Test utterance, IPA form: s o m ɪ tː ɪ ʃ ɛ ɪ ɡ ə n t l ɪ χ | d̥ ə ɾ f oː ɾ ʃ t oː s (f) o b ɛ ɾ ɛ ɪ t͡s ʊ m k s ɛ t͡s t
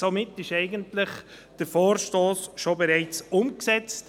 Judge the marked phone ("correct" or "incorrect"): incorrect